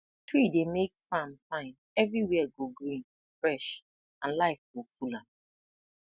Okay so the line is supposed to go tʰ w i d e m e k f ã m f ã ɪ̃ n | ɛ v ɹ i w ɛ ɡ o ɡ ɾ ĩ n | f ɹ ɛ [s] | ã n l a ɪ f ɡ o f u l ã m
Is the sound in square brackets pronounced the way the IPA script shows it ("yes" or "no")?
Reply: no